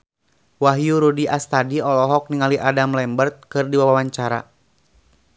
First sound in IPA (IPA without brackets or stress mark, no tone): w